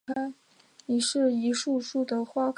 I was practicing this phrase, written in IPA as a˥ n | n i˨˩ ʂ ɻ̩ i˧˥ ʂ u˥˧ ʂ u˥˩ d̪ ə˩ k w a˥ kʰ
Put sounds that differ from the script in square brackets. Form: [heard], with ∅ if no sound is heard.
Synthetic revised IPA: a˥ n | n i˨˩ ʂ ɻ̩ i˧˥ ʂ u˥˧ ʂ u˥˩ d̪ ə˩ [x] w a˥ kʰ